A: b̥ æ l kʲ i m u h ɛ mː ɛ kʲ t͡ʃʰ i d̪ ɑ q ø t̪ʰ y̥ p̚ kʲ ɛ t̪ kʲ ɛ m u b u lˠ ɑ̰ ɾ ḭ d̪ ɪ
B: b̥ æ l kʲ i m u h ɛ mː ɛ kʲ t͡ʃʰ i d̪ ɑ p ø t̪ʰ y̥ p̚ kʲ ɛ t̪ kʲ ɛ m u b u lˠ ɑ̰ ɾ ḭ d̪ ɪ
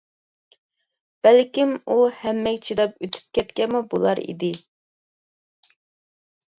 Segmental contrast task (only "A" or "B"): B